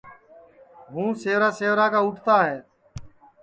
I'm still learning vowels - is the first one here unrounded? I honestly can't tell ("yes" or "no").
no